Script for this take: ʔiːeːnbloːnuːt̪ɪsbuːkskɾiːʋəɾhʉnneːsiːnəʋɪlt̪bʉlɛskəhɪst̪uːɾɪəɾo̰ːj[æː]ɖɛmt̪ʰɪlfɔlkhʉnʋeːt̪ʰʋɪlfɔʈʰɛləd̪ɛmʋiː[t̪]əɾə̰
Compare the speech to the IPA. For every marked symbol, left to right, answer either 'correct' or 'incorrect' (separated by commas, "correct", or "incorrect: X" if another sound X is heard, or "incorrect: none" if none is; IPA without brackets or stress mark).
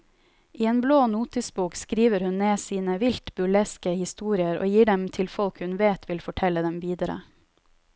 incorrect: iː, incorrect: d̪